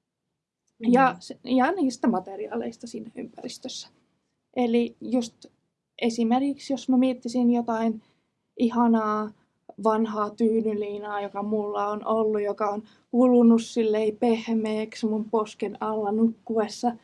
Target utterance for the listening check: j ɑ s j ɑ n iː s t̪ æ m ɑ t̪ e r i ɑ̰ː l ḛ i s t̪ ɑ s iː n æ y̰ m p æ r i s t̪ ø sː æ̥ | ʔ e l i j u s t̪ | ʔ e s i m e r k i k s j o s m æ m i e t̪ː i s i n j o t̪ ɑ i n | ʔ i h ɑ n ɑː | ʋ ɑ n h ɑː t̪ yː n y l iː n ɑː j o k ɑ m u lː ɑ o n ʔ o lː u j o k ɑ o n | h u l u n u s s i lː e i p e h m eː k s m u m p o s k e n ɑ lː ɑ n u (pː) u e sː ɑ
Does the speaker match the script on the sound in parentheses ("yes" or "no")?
no